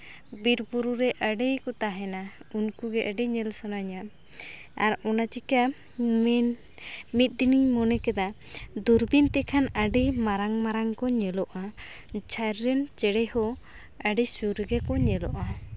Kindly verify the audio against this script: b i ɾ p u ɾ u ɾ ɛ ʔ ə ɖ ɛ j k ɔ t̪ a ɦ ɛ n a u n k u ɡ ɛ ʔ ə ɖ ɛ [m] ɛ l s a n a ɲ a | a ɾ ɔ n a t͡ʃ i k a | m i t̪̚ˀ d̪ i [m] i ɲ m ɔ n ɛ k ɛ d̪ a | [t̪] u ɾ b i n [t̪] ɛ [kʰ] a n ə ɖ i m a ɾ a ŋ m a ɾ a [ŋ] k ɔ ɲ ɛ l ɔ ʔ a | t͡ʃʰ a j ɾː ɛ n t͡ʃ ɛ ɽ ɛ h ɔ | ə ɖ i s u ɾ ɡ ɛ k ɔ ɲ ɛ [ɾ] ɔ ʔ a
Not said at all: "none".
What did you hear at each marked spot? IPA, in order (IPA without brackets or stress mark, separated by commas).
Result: ɲ, n, d̪, t̪, kʰ, ŋ, l